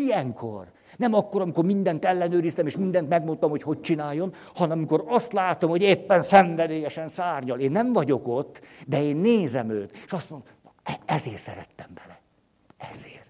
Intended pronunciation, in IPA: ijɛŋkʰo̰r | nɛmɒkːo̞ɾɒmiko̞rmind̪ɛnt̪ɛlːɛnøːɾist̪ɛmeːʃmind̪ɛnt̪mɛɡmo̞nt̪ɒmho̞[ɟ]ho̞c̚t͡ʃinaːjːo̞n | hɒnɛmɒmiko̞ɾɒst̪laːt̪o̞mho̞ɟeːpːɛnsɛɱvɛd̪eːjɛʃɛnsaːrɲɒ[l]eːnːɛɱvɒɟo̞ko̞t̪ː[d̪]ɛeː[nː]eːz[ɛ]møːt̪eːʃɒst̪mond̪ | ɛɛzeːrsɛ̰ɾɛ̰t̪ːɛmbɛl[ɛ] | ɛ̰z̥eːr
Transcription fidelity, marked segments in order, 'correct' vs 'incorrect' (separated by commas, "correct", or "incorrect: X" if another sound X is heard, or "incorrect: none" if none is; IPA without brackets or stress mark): incorrect: c, correct, correct, correct, correct, correct